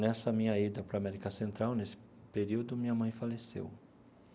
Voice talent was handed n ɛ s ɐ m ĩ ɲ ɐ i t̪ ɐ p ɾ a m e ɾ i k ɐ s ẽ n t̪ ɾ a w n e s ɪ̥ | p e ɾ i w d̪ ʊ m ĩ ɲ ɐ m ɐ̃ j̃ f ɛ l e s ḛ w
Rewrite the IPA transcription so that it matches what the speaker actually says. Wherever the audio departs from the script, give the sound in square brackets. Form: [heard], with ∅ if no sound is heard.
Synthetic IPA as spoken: n ɛ s ɐ m ĩ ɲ ɐ i [d̪] ɐ p ɾ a m [ɛ] ɾ i k ɐ s ẽ n t̪ ɾ a w n e s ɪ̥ | p e ɾ i w d̪ ʊ m ĩ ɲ ɐ m ɐ̃ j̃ f [a] l e s ḛ w